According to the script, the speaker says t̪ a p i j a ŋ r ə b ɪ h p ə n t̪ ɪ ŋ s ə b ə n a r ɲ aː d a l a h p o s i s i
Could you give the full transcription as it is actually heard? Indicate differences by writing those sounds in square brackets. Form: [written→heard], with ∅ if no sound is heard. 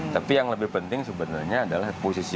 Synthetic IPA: t̪ a p i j a ŋ [r→l] ə b ɪ h p ə n t̪ ɪ ŋ s ə b ə n a r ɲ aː d a l a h p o s i s i

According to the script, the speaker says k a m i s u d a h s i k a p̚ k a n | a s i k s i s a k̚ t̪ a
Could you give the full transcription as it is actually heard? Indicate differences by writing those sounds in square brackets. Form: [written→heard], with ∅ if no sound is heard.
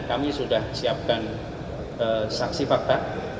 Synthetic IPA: k a m i s u d a h s i [k→∅] a p̚ k a n | [a→ə] s [i→a] k s i [s→f] a k̚ t̪ a

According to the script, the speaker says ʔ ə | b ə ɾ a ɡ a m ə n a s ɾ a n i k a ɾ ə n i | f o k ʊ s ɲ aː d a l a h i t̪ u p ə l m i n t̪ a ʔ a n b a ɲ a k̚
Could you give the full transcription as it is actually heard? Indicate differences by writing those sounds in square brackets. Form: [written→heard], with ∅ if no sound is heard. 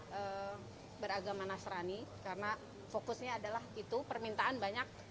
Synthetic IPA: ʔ ə | b ə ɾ a ɡ a m [ə→a] n a s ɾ a n i k a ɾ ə n [i→a] | f o k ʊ s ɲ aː d a l a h i t̪ u p ə [l→r] m i n t̪ a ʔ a n b a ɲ a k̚

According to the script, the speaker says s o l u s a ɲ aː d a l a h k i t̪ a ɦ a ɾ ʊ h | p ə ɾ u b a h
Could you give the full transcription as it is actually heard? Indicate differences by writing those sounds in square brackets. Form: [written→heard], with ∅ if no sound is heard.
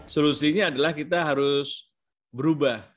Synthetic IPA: s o l u s [a→i] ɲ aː d a l a h k i t̪ a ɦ a ɾ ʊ [h→s] | [p→b] ə ɾ u b a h

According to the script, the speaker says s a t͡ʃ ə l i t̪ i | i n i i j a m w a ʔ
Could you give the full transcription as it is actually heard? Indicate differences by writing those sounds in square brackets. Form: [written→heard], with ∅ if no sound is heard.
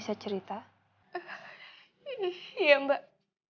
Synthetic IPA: s a t͡ʃ ə [l→ɾ] i t̪ [i→a] | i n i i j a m [w→b] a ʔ

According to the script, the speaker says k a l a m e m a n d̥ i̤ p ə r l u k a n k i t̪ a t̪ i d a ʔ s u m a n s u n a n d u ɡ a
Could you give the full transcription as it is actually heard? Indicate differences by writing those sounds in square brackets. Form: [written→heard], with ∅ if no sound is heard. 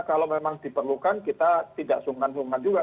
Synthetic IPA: k a l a m e m a [n→ŋ] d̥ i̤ p ə r l u k a n k i t̪ a t̪ i d a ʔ s u [m→ŋ] a n s u [n→ŋ] a n [d→d͡ʒ] u ɡ a

